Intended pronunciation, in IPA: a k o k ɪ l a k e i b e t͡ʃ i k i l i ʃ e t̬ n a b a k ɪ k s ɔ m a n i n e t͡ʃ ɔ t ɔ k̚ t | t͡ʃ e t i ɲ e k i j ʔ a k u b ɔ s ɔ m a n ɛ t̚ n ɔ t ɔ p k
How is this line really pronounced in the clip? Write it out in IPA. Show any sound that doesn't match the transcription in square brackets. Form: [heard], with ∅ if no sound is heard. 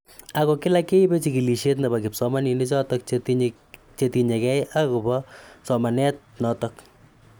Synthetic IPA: a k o k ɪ l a k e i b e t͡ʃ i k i l i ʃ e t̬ n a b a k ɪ [p] s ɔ m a n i n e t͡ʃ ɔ t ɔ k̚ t | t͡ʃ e t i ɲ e k [ɛ] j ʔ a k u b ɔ s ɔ m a n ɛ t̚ n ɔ t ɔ [∅] k